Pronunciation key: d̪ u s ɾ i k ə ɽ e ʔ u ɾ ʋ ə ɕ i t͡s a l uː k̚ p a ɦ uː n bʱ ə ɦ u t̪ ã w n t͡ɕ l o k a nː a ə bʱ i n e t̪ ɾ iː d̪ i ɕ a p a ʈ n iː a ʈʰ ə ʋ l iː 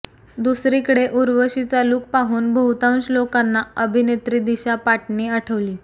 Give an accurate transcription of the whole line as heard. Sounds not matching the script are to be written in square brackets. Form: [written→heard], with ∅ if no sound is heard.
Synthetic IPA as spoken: d̪ u s ɾ i k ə ɽ e ʔ u ɾ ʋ ə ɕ i t͡s a l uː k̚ p a ɦ uː n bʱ ə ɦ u t̪ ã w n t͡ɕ l o k a nː a ə bʱ i n e t̪ ɾ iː d̪ i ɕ a p a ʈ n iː a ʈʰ ə ʋ l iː

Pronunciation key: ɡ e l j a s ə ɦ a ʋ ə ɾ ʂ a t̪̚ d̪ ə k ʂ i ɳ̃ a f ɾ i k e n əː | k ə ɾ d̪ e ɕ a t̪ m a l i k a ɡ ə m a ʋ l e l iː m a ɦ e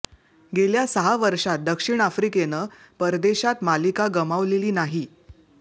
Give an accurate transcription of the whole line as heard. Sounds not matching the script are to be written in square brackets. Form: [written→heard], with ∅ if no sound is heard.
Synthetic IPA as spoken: ɡ e l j a s ə ɦ a ʋ ə ɾ ʂ a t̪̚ d̪ ə k ʂ i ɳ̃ a f ɾ i k e n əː | [k→p] ə ɾ d̪ e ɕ a t̪ m a l i k a ɡ ə m a ʋ l e l iː [m→n] a ɦ [e→i]

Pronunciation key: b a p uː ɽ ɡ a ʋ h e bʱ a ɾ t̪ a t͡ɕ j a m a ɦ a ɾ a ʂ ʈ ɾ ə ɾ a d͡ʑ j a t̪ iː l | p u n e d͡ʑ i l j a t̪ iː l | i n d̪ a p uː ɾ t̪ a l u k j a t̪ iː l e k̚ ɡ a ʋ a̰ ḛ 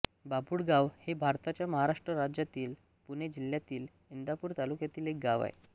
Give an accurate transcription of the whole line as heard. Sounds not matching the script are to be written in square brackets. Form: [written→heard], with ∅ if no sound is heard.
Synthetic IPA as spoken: b a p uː ɽ ɡ a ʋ h e bʱ a ɾ t̪ a t͡ɕ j a m [a→ə] ɦ a ɾ a ʂ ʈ ɾ ə ɾ a d͡ʑ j a t̪ iː l | p u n e d͡ʑ i l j a t̪ iː l | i n d̪ a p uː ɾ t̪ a l u k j a t̪ iː l e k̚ ɡ a ʋ a̰ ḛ

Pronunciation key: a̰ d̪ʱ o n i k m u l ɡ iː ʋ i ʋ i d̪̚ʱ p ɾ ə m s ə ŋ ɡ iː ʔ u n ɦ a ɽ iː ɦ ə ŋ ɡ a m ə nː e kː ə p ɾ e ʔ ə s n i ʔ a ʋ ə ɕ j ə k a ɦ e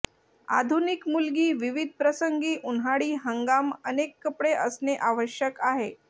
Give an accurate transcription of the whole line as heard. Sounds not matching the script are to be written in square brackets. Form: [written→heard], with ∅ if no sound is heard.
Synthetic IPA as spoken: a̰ d̪ʱ [o→u] n i k m u l ɡ iː ʋ i ʋ i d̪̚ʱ p ɾ ə [m→∅] s ə ŋ ɡ iː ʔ u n ɦ a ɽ iː ɦ ə ŋ ɡ a m ə [nː→n] e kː ə p [ɾ→ɽ] e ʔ ə s n [i→e] ʔ a ʋ ə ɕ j ə k a ɦ e

